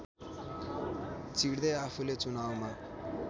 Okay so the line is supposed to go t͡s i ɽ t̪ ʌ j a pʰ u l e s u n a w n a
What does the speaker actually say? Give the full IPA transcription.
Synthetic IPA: t͡s i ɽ d̪ ʌ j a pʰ u l e t͡s u n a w m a